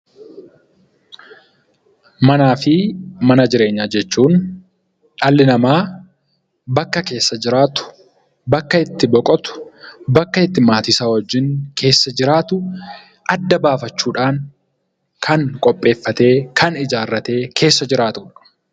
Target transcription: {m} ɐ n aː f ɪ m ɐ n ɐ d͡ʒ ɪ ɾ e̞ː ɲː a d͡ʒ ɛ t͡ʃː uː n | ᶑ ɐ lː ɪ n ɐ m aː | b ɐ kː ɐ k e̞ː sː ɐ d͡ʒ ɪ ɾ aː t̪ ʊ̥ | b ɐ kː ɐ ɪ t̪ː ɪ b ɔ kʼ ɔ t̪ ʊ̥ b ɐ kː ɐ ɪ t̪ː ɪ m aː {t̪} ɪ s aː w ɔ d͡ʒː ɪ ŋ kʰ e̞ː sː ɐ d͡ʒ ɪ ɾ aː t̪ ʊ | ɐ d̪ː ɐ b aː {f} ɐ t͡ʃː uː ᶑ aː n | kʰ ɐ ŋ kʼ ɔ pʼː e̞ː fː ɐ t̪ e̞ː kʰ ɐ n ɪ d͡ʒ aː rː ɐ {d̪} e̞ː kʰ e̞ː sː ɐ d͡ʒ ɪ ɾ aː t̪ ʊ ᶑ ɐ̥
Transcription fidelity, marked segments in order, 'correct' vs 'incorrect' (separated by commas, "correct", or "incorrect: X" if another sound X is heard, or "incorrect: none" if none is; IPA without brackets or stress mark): correct, correct, correct, incorrect: t̪